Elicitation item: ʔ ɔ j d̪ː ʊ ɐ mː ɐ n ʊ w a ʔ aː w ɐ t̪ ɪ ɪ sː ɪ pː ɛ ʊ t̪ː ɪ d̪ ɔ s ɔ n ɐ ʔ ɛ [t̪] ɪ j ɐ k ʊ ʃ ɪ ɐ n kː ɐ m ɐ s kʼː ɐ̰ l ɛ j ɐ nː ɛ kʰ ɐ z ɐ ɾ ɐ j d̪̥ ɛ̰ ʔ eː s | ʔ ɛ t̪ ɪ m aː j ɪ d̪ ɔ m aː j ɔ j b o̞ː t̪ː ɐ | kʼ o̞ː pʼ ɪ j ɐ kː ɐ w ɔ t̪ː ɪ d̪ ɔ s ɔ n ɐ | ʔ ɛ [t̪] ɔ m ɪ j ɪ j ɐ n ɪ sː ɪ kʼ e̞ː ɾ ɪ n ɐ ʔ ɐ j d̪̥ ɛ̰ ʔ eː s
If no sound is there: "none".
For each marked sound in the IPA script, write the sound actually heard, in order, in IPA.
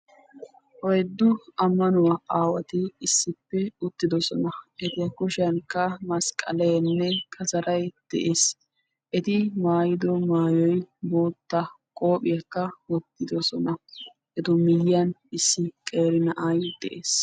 t̪, t̪

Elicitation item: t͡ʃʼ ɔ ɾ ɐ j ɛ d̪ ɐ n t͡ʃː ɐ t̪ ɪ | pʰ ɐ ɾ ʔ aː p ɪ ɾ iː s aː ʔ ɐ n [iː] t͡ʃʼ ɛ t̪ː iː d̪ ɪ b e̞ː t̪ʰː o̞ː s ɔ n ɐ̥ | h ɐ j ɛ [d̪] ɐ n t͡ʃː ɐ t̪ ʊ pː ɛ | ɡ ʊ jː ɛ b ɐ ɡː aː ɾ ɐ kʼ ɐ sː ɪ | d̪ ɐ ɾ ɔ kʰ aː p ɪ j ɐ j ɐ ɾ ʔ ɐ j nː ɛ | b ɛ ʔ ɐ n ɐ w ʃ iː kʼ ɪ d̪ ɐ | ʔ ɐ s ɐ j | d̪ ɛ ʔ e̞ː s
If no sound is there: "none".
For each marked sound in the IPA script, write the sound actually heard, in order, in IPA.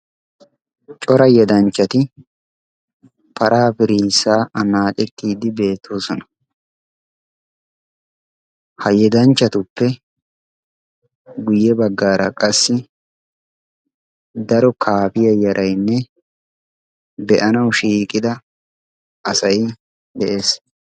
aː, d̪

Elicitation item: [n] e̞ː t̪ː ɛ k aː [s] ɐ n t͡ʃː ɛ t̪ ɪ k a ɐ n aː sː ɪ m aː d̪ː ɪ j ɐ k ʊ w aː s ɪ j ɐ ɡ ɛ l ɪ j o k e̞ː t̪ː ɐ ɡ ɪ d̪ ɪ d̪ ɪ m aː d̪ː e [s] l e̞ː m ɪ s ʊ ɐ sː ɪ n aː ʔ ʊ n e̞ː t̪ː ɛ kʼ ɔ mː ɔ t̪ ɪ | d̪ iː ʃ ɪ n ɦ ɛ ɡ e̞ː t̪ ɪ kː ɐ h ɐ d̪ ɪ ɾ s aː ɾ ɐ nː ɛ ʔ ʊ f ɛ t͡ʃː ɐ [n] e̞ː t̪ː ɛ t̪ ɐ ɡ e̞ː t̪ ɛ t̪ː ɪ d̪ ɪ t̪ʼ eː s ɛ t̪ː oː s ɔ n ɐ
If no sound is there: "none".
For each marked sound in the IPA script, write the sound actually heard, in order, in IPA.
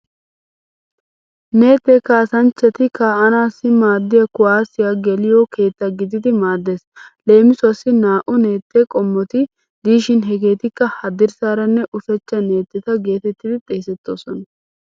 n, s, s, n

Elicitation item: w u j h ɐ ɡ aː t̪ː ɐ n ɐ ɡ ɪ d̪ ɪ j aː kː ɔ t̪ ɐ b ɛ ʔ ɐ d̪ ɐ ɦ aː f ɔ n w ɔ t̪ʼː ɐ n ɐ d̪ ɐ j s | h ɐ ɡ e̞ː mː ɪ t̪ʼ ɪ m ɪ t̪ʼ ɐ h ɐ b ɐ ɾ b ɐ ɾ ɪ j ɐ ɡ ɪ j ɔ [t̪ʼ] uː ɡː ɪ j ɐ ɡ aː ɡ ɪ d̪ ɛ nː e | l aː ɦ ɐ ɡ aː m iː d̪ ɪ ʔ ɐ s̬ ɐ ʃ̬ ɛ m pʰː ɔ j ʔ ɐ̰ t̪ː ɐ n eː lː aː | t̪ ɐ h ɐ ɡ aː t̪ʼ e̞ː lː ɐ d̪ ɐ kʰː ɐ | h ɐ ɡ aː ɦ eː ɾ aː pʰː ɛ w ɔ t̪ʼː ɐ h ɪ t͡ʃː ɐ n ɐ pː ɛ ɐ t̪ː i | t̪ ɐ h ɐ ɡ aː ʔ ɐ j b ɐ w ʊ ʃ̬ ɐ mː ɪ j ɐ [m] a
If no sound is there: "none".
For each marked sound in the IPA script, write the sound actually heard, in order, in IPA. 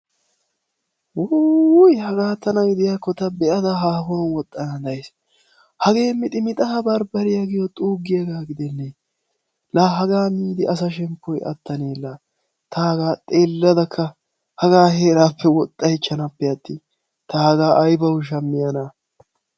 t̪ʼ, n

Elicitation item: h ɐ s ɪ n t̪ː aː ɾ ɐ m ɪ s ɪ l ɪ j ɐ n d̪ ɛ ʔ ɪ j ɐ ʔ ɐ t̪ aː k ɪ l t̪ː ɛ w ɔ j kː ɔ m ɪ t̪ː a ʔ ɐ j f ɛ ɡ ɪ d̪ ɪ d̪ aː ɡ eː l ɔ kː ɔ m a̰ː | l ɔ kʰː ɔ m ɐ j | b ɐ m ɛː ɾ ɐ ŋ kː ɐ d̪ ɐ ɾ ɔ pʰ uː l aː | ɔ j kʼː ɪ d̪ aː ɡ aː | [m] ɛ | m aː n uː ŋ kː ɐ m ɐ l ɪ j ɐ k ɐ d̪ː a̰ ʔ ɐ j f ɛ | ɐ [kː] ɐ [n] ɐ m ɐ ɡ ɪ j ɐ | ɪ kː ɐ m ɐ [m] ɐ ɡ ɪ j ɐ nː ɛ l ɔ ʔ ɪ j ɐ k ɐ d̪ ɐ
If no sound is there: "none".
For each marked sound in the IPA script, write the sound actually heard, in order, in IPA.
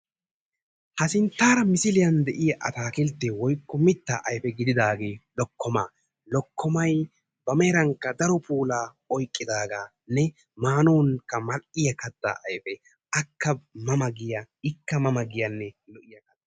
n, kː, m, m

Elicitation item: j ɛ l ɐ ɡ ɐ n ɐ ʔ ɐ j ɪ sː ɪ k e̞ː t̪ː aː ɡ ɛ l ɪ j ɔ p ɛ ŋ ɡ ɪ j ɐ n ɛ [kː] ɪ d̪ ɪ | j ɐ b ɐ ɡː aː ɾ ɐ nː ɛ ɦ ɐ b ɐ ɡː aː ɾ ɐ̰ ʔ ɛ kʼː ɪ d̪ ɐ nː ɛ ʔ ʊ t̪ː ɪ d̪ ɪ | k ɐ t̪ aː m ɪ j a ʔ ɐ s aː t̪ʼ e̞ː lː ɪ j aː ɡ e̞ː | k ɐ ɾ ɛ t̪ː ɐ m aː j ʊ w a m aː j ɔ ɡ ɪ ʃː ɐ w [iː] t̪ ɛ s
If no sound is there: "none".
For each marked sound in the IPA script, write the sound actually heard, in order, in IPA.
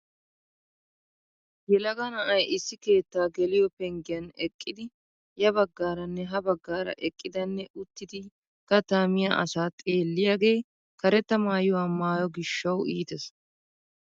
kʼː, iː

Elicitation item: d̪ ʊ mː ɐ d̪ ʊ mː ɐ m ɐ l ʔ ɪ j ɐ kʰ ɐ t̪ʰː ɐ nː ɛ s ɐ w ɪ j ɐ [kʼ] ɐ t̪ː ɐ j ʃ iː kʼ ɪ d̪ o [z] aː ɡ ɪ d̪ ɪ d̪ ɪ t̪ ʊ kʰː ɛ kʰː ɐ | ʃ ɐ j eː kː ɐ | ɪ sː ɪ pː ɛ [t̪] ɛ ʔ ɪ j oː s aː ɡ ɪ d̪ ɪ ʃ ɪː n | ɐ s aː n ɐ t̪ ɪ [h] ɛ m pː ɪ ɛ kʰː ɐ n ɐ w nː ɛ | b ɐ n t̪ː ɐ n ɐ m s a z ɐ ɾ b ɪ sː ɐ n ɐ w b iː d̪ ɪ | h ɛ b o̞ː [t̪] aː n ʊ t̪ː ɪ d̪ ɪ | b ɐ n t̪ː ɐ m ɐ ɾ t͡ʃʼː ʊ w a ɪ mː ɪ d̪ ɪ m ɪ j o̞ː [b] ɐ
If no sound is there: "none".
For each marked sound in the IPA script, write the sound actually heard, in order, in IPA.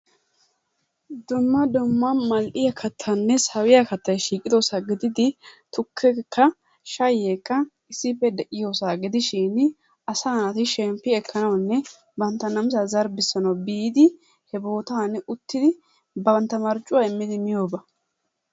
k, s, d̪, ʃ, t̪, b

